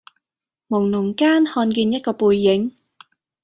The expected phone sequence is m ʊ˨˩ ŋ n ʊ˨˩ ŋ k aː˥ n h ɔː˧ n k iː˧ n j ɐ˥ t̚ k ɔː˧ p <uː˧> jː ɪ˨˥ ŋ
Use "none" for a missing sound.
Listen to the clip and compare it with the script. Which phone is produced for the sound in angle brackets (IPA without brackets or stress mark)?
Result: uː˧